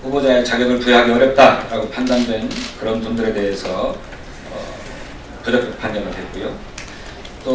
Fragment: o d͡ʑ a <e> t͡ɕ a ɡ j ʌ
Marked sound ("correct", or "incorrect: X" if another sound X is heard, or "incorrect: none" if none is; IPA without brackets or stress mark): correct